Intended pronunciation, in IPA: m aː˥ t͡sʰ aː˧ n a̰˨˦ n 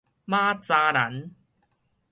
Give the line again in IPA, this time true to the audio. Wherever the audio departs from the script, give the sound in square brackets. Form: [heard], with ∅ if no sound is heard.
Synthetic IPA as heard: m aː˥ [t͡s] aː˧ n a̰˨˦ n